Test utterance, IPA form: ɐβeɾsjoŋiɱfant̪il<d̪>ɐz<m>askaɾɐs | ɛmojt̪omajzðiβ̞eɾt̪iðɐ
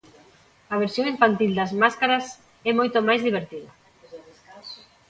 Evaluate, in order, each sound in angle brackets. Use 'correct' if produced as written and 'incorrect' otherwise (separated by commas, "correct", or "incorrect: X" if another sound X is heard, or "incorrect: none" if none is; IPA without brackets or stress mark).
correct, correct